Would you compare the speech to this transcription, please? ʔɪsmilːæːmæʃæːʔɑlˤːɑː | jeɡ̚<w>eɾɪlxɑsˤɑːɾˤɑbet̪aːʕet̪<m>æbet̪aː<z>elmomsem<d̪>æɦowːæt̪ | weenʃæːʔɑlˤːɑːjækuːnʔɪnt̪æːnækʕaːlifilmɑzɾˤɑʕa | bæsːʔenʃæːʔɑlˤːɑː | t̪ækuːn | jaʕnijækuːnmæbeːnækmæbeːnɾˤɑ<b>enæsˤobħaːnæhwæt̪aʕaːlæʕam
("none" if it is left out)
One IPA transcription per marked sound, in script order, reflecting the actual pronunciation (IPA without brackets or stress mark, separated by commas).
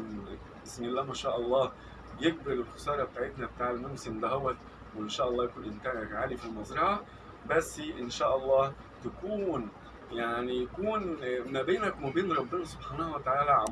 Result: b, n, ʕ, d̪, bː